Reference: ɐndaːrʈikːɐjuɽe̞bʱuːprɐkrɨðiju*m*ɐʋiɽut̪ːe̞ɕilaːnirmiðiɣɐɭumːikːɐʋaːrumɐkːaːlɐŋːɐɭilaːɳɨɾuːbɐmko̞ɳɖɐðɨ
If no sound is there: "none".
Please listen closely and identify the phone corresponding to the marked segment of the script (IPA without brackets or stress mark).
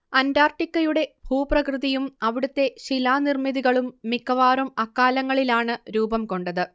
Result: m